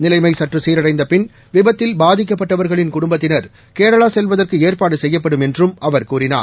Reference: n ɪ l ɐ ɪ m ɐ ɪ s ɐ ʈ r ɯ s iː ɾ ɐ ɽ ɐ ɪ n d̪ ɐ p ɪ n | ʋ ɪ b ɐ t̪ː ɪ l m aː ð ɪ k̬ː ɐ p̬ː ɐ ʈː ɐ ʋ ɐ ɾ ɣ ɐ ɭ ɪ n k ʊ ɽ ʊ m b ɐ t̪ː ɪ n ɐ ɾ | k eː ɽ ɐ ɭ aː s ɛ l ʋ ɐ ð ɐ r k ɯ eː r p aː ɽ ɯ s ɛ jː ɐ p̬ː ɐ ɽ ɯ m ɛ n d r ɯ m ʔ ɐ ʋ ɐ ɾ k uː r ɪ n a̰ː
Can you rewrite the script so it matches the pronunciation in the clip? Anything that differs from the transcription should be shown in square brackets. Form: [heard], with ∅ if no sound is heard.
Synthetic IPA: n ɪ l ɐ ɪ m ɐ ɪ s ɐ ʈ r ɯ s iː ɾ ɐ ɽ ɐ ɪ n d̪ ɐ p ɪ n | ʋ ɪ b ɐ t̪ː ɪ l [b] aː ð ɪ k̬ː ɐ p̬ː ɐ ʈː ɐ ʋ ɐ ɾ ɣ ɐ ɭ ɪ n k ʊ ɽ ʊ m b ɐ t̪ː ɪ n ɐ ɾ | k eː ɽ ɐ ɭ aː s ɛ l ʋ ɐ ð ɐ r k ɯ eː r p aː ɽ ɯ s ɛ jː ɐ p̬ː ɐ ɽ ɯ m ɛ n d r ɯ m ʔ ɐ ʋ ɐ ɾ k uː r ɪ n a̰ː